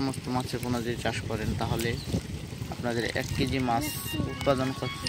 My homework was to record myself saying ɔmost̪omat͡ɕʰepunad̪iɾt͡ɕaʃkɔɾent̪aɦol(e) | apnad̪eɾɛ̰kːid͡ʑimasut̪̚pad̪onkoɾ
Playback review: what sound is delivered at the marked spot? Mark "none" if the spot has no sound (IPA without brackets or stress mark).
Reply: e